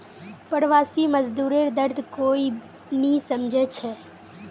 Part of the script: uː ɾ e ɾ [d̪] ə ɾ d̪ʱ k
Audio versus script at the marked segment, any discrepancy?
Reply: no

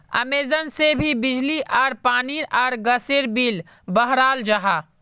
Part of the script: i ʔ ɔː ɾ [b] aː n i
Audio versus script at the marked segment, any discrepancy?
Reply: yes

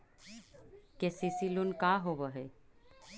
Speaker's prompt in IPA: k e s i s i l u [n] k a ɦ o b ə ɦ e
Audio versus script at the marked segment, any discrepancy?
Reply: no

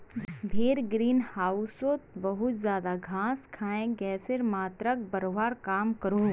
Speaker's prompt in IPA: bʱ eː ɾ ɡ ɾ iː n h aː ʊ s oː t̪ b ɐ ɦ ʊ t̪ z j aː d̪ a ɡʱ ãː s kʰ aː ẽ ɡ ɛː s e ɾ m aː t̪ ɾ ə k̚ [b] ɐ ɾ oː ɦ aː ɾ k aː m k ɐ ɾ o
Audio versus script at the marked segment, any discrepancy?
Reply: no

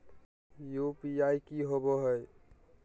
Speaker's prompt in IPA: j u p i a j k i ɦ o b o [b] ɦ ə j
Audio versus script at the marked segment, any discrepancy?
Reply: yes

